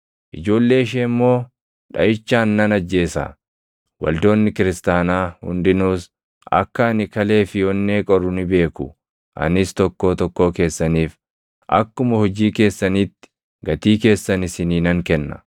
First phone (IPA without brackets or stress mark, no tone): ʔ